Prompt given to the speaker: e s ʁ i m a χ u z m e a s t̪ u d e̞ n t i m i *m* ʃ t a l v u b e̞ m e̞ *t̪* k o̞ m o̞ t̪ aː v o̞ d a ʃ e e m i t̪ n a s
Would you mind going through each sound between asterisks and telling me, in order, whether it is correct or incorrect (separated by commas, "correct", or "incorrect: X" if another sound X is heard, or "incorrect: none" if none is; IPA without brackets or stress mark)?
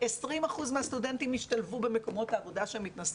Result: incorrect: none, incorrect: none